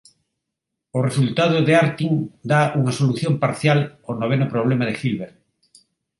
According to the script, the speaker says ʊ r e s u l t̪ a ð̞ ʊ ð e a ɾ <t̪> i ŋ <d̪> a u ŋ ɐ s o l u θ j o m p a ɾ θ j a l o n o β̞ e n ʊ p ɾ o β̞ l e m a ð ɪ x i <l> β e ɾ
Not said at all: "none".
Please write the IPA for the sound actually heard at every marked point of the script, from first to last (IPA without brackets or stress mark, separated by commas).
t̪, d̪, l